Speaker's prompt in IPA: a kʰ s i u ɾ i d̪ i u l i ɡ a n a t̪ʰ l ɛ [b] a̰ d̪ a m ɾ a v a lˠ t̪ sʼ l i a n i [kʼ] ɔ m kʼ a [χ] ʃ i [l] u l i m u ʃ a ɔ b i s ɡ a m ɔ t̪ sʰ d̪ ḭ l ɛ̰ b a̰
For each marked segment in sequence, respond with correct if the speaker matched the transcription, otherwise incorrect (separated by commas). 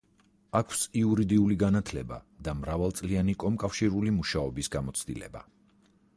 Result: correct, correct, incorrect, incorrect